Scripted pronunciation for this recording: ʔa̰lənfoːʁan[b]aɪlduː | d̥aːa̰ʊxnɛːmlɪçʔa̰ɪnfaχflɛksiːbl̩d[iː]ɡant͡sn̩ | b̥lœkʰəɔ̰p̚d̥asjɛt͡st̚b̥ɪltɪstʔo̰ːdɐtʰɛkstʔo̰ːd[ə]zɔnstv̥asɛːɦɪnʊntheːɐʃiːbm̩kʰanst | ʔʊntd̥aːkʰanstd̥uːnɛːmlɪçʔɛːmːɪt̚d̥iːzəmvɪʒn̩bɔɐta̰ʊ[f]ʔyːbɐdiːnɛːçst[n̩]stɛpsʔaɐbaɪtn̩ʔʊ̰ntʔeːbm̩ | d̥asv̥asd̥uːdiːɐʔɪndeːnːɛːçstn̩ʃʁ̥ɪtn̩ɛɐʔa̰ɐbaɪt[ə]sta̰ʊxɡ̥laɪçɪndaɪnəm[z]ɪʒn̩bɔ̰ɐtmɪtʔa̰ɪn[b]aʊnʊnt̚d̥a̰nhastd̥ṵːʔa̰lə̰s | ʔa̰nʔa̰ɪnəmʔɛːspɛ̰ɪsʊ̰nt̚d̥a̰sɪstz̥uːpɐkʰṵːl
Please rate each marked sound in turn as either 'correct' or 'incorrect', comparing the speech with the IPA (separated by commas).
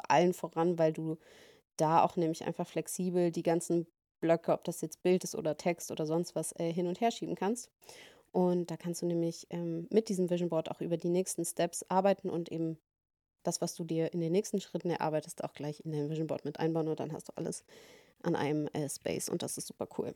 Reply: incorrect, correct, incorrect, incorrect, correct, correct, incorrect, correct